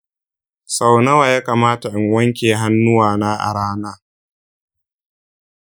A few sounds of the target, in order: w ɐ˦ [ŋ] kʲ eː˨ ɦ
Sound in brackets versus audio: correct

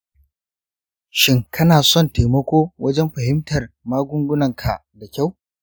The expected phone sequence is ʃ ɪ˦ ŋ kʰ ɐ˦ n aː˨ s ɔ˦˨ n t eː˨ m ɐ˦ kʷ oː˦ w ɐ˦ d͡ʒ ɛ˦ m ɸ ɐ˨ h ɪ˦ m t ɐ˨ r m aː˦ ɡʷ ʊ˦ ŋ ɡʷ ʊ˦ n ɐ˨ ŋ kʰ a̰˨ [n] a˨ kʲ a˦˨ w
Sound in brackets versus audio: incorrect: d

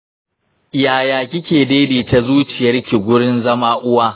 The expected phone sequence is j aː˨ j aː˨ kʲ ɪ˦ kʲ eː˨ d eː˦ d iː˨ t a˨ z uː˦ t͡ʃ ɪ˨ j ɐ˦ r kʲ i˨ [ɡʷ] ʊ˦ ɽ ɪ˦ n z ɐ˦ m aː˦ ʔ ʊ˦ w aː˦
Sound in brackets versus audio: correct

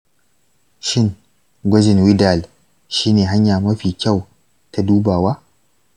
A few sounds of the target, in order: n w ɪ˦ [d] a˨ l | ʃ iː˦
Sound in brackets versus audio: correct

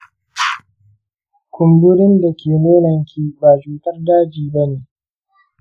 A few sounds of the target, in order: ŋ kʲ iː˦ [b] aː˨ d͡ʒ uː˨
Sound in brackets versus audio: correct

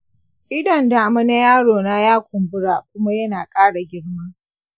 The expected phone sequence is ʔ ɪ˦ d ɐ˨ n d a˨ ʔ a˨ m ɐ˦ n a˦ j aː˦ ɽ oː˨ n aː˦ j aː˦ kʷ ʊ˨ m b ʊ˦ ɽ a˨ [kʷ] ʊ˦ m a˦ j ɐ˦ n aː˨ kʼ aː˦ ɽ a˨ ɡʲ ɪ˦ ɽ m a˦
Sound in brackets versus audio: correct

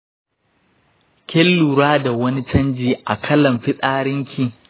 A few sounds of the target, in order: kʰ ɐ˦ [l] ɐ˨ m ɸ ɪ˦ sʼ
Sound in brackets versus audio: correct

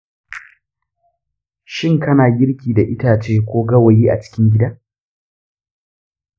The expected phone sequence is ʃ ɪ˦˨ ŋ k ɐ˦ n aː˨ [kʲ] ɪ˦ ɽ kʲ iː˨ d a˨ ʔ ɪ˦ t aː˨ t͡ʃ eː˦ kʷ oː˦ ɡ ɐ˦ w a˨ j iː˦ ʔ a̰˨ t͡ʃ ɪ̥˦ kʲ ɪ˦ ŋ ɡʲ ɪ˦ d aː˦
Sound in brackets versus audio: incorrect: ɡʲ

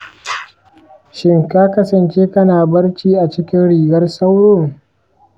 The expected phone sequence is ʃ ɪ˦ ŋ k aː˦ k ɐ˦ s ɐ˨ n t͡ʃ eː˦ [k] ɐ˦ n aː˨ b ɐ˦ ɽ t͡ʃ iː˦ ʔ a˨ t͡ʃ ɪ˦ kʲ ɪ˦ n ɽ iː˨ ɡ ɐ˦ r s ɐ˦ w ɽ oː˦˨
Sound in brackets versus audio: correct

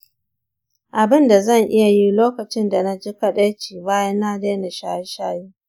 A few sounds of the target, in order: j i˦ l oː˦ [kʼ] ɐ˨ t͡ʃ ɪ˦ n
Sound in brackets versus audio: incorrect: k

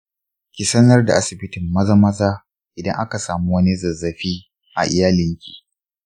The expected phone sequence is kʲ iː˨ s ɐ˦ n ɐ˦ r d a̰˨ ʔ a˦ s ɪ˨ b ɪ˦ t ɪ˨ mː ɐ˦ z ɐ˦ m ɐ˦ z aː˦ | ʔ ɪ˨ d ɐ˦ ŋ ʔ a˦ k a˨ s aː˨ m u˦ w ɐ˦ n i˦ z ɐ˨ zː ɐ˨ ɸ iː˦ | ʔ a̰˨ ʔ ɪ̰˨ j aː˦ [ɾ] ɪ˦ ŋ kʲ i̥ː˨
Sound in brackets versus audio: incorrect: l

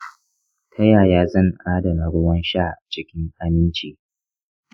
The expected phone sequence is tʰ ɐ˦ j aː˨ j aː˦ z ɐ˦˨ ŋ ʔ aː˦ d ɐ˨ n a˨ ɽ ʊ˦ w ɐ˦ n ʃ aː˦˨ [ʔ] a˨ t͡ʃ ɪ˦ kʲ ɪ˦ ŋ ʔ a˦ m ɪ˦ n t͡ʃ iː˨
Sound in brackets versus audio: correct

